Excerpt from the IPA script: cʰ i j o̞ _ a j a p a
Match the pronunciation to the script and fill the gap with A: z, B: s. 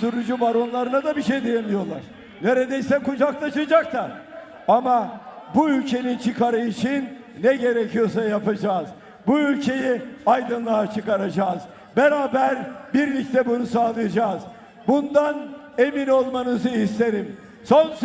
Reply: B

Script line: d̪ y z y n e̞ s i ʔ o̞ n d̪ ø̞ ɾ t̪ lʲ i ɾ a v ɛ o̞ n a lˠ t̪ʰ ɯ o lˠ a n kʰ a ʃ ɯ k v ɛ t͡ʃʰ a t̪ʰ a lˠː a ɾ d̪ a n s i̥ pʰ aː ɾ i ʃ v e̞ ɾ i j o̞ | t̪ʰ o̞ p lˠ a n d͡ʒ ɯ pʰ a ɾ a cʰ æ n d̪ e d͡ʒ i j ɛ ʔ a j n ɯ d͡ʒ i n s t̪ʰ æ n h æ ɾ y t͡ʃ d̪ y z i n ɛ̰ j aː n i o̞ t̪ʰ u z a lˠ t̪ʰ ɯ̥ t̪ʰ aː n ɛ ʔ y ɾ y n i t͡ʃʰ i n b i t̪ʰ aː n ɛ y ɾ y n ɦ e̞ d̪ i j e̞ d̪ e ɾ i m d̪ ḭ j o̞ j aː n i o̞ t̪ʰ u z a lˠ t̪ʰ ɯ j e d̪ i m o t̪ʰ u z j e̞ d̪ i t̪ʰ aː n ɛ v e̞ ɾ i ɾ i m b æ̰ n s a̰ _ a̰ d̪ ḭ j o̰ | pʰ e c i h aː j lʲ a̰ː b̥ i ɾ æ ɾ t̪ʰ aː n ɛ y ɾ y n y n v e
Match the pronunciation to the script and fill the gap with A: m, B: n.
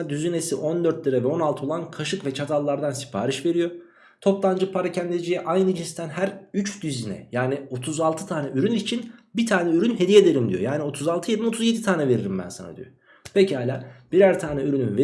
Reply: B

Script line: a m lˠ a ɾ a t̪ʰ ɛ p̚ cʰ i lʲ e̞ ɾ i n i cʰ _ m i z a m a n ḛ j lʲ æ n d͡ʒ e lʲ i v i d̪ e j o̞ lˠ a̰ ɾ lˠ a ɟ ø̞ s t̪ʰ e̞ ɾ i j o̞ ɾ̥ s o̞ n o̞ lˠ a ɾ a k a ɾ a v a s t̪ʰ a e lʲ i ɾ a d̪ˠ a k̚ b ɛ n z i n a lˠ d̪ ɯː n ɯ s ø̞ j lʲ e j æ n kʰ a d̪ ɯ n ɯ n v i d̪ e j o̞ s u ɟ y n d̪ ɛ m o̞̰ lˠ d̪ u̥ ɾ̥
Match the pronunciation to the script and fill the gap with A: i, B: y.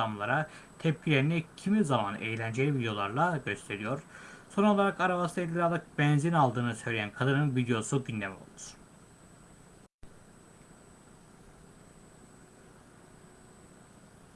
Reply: A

